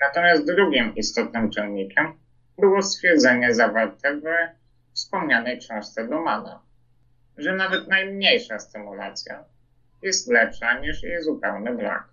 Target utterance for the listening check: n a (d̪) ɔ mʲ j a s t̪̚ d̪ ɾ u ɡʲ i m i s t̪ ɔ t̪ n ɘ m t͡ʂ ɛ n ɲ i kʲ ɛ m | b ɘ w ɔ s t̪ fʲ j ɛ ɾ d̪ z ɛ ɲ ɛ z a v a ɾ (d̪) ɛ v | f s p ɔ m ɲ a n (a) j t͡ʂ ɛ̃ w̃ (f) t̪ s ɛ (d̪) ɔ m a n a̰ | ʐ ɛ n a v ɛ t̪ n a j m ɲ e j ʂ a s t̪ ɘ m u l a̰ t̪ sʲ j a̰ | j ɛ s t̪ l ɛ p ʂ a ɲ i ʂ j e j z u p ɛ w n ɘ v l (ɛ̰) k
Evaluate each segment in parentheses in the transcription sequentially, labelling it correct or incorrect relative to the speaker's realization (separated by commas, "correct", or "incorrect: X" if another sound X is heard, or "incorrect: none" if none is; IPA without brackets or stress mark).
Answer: incorrect: t̪, incorrect: t̪, incorrect: ɛ, incorrect: ʂ, correct, incorrect: a̰